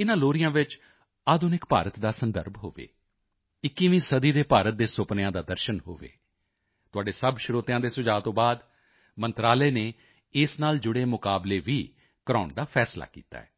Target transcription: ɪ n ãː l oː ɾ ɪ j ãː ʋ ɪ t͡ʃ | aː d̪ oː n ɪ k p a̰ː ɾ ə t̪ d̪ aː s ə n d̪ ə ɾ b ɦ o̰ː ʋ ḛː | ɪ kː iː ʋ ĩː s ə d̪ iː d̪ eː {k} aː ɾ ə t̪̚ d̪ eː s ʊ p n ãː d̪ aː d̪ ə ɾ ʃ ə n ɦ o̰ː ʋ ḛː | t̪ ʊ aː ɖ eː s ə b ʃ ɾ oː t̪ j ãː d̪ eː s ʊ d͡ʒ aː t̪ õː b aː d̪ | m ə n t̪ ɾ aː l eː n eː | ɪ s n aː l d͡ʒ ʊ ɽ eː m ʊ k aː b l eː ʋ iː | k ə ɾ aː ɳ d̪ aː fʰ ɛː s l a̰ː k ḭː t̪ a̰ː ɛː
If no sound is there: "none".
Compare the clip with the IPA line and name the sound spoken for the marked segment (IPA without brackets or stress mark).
p